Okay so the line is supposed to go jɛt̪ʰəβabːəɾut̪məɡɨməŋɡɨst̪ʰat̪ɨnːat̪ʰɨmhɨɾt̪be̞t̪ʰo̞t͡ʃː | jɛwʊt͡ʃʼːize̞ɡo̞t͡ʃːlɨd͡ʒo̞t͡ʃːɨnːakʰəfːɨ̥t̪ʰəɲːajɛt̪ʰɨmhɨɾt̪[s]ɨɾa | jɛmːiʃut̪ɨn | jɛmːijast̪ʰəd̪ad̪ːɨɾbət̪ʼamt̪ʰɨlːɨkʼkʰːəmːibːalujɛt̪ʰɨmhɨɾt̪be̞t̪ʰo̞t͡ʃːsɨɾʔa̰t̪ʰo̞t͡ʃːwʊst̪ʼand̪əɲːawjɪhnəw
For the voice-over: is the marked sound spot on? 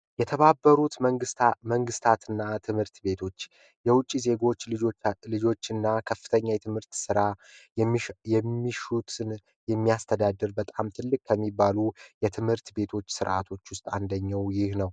yes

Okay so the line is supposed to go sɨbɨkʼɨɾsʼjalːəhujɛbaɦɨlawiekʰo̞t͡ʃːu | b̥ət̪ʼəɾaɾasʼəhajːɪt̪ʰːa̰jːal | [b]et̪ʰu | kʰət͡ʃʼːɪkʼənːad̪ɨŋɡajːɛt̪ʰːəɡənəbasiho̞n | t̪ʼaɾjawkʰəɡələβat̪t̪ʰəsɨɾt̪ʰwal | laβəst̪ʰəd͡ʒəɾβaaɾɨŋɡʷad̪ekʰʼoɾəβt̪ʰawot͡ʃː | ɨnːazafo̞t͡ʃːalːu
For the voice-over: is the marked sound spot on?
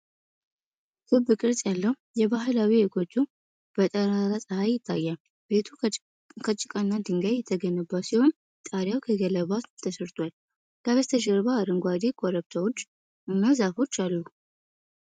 yes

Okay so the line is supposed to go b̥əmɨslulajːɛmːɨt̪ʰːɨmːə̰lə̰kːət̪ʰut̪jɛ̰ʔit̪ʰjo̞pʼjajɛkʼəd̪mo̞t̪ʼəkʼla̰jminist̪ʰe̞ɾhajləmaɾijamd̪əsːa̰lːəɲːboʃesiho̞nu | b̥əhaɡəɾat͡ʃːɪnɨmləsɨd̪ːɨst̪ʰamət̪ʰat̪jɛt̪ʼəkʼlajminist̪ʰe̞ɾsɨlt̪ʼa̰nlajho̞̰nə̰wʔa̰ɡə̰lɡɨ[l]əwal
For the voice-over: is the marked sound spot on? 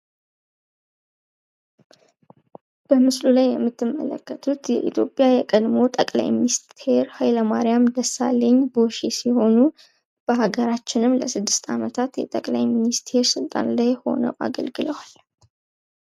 yes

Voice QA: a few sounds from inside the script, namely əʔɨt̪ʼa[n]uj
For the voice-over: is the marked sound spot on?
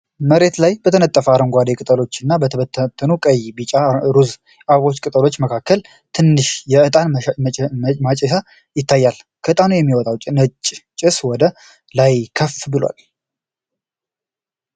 yes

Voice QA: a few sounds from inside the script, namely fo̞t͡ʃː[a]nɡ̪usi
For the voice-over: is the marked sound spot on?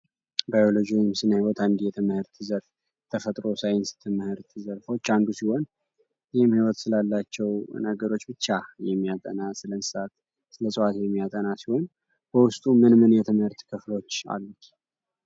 yes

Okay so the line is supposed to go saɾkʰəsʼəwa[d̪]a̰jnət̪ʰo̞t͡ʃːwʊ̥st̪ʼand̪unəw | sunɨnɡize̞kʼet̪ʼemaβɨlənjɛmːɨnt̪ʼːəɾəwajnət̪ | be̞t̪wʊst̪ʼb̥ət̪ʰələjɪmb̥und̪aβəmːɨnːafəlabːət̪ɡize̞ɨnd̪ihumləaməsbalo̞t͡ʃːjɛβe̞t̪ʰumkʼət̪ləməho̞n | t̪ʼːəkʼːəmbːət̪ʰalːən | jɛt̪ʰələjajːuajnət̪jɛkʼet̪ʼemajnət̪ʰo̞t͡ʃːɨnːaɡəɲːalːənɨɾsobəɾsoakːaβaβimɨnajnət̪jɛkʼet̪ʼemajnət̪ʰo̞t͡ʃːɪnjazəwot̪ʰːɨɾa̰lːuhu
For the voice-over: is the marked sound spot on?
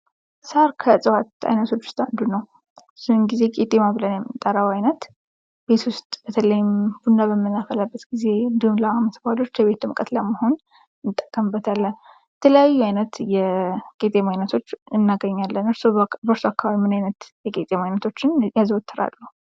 no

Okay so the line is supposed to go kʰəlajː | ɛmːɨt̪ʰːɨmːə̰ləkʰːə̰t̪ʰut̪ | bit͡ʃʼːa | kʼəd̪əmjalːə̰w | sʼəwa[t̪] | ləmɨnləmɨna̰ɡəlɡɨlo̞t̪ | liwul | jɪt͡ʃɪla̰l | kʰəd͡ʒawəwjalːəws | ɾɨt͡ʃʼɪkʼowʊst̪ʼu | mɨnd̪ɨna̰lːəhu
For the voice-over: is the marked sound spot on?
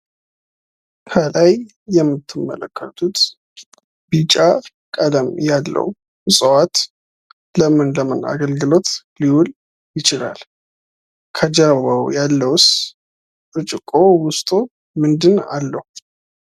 yes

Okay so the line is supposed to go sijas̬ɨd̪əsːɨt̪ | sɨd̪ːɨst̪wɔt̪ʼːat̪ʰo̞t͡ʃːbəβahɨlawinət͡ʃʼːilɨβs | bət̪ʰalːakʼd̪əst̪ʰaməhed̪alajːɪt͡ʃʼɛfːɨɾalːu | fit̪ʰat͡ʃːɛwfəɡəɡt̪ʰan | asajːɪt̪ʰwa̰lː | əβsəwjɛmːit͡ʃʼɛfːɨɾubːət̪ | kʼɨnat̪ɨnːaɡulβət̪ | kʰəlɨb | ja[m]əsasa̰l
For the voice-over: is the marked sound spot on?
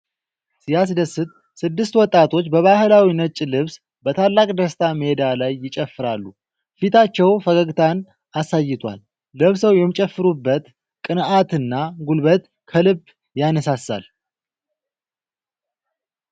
no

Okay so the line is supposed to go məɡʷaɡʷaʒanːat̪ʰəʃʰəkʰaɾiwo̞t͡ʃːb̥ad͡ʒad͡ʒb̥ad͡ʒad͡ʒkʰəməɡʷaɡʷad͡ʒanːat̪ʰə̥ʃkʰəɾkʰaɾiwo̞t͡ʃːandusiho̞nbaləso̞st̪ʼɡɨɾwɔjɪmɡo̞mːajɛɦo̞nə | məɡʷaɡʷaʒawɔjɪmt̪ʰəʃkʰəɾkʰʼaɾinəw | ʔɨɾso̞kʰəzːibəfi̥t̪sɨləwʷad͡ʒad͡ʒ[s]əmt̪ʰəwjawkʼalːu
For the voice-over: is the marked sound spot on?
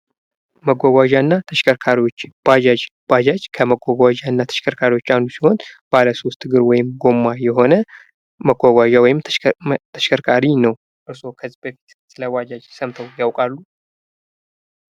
yes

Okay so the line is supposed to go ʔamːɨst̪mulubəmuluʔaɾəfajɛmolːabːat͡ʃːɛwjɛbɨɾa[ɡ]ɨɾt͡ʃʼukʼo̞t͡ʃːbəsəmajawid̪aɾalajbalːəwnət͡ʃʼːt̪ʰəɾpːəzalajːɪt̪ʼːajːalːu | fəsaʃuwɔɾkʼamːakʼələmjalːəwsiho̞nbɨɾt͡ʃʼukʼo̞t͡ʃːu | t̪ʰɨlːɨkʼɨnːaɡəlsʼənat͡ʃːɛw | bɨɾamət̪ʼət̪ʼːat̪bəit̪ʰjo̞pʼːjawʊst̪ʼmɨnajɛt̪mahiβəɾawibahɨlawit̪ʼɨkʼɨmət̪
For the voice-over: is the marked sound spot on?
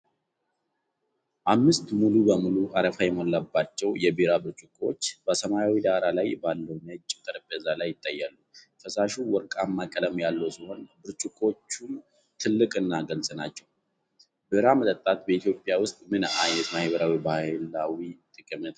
no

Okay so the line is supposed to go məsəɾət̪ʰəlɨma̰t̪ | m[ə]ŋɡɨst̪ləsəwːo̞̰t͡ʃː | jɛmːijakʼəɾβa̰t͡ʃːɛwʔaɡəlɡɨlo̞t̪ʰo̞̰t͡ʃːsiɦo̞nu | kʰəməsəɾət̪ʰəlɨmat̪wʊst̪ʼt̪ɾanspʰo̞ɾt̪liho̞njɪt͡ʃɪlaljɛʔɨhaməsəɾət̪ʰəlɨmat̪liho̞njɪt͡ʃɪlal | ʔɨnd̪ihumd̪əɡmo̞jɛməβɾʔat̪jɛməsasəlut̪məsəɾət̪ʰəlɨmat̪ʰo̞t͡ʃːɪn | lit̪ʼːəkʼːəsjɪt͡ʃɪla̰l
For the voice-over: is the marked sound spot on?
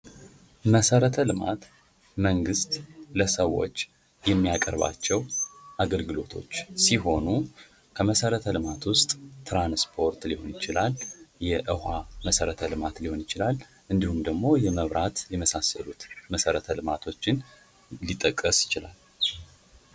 yes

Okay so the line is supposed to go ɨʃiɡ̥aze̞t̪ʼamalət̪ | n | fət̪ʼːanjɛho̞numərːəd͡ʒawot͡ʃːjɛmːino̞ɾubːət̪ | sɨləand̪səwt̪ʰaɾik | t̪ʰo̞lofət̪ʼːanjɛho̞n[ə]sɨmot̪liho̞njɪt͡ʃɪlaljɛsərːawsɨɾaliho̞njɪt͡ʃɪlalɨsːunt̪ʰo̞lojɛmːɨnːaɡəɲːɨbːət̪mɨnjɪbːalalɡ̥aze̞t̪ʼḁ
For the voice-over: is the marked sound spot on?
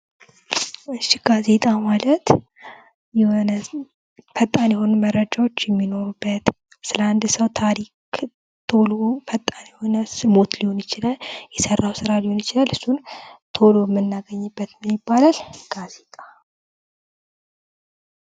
yes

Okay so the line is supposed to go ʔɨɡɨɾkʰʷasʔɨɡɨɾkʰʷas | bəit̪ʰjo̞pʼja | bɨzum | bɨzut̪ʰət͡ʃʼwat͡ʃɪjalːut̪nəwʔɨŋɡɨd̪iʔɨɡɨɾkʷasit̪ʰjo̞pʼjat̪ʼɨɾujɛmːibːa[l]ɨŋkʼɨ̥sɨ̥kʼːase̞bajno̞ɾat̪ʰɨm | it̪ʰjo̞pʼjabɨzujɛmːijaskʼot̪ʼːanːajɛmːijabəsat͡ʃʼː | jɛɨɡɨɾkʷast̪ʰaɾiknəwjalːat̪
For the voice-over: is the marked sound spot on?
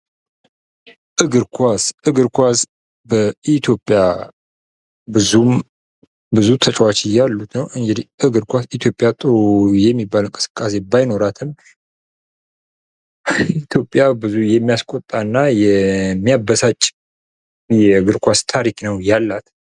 yes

